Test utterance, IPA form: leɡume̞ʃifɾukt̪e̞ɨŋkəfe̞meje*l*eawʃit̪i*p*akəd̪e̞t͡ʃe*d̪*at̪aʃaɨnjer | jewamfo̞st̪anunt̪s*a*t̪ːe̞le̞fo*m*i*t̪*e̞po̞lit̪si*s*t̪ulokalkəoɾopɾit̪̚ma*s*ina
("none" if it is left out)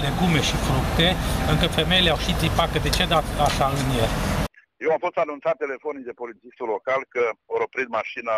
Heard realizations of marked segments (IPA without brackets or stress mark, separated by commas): l, p, d̪, a, n, d̪, s, ʃ